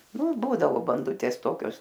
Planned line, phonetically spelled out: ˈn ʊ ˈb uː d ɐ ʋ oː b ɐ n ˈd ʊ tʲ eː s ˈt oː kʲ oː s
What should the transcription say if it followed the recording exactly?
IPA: ˈn ʊ ˈb uː d ɐ ʋ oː b ɐ n ˈd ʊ tʲ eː s ˈt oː kʲ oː s